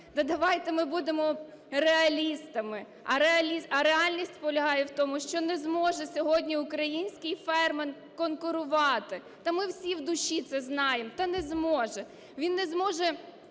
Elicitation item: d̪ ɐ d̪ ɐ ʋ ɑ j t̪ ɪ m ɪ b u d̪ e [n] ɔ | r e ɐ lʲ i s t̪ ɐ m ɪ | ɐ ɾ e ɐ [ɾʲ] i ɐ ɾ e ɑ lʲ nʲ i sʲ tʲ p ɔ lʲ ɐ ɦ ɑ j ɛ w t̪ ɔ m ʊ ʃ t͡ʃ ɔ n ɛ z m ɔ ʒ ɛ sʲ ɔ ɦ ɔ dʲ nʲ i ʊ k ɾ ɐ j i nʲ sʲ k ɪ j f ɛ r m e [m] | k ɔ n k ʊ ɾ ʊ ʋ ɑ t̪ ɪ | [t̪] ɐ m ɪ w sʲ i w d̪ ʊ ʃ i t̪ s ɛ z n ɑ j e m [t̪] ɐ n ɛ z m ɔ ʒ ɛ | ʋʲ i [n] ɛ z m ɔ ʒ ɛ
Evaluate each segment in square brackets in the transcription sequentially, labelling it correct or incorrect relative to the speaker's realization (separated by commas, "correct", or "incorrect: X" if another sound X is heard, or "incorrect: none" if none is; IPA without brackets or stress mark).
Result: incorrect: m, incorrect: lʲ, incorrect: n, correct, correct, incorrect: nː